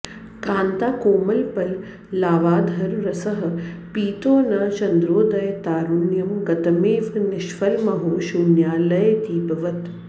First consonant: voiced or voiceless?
voiceless